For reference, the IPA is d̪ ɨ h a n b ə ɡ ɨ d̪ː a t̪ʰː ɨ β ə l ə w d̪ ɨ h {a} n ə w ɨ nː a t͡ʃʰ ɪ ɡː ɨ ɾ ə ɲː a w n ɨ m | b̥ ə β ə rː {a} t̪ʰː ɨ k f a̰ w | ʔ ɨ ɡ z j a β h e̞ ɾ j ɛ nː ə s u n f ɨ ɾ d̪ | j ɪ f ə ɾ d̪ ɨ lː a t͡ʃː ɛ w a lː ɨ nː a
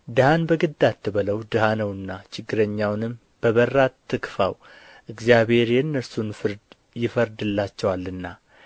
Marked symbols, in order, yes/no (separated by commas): yes, yes